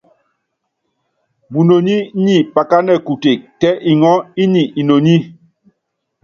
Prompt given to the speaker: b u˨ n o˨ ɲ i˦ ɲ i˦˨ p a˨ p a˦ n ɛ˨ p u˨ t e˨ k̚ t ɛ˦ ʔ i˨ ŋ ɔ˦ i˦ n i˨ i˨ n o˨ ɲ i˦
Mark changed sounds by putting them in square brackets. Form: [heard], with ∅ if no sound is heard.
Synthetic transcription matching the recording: b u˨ n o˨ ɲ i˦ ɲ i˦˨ p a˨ [k] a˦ n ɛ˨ [k] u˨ t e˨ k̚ t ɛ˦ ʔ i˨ ŋ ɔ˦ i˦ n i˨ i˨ n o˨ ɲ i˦

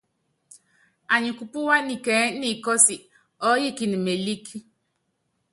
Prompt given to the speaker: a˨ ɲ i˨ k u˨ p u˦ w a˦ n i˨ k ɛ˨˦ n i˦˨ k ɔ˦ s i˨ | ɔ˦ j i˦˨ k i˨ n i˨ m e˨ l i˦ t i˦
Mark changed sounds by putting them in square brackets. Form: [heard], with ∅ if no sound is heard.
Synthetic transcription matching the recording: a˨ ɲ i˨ k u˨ p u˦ w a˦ n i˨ k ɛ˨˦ n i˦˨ k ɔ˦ s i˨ | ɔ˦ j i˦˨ k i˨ n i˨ m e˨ l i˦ [k] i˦

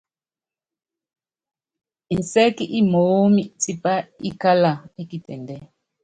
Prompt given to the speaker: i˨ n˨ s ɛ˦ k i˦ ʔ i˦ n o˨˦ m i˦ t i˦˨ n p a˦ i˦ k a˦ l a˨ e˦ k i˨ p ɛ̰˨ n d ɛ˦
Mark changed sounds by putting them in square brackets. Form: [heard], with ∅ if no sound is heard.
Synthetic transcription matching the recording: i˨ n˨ s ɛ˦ k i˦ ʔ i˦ [m] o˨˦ m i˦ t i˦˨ [∅] p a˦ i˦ k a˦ l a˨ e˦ k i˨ [t] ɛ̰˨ n d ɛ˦

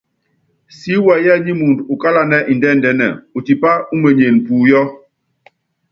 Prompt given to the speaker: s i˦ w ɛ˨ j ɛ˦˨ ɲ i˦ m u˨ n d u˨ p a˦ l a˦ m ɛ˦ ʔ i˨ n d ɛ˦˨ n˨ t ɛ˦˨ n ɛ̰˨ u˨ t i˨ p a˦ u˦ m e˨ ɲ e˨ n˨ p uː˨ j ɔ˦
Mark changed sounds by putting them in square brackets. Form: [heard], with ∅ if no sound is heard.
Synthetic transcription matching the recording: s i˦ w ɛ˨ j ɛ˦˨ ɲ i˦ m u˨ n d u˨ [k] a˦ l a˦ [n] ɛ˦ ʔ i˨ n d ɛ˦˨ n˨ [d] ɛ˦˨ n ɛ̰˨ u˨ t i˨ p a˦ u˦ m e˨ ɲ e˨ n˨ p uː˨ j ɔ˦

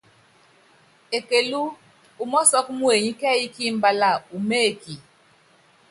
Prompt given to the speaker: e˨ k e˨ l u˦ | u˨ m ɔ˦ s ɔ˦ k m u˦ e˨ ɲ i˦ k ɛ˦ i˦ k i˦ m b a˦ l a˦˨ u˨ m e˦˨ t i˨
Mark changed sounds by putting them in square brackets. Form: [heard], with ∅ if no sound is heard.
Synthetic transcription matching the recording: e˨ k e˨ l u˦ | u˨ m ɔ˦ s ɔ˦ k m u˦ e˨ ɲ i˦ k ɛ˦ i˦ k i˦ m b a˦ l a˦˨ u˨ m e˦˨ [k] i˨

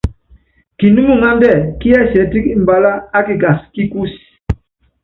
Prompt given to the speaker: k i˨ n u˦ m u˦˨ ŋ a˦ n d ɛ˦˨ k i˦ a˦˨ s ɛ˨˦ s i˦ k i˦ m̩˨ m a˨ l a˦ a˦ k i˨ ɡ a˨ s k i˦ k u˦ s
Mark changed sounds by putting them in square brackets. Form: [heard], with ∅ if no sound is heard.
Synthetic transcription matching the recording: k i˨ n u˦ m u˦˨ ŋ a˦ n d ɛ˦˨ k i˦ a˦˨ s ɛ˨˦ [t] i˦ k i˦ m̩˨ [b] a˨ l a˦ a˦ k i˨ ɡ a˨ s k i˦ k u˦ s

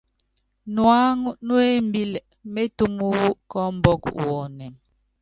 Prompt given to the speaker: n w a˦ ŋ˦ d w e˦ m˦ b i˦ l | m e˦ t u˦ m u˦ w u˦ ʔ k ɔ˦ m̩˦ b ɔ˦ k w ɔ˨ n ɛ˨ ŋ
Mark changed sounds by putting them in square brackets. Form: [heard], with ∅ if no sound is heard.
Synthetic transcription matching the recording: n w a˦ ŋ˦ [n] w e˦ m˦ b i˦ l | m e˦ t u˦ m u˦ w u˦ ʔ k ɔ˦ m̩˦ b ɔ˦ k w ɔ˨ n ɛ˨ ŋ

